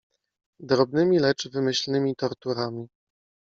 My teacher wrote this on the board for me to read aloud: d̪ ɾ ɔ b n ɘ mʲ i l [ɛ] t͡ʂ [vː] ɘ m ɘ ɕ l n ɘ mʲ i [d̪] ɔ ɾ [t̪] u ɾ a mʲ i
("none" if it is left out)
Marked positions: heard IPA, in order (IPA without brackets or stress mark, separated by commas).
ɛ, v, t̪, t̪